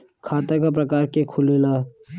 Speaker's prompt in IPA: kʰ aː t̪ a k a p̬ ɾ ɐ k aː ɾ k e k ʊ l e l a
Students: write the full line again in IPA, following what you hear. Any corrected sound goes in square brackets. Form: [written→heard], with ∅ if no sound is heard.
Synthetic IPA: kʰ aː t̪ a k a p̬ ɾ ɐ k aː ɾ k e [k→kʰ] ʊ l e l a

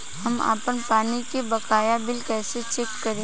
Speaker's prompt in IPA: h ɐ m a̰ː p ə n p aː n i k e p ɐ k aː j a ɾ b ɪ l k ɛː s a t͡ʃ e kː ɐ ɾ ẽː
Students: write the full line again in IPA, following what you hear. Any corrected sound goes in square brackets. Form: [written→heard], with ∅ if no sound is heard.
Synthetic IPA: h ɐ m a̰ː p ə n p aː n i k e [p→b] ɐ k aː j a [ɾ→∅] b ɪ l k ɛː s [a→e] t͡ʃ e kː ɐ ɾ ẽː

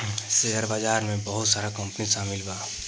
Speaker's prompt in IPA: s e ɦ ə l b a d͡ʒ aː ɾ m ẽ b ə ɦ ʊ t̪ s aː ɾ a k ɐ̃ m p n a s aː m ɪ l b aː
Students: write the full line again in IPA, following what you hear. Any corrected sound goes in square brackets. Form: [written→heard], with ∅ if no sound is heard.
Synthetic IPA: s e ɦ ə [l→ɾ] b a d͡ʒ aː ɾ m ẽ b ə ɦ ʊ t̪ s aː ɾ a k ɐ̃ m p n [a→i] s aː m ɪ l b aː

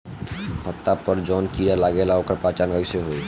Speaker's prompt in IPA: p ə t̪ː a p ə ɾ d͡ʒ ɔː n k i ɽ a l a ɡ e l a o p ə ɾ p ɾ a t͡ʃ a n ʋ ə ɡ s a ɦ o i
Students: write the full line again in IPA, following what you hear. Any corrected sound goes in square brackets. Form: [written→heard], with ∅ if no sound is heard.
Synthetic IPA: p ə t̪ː a p ə ɾ d͡ʒ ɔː n k i [ɽ→ɾ] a l a ɡ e l a o [p→k] ə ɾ p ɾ a t͡ʃ a n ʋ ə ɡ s [a→e] ɦ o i

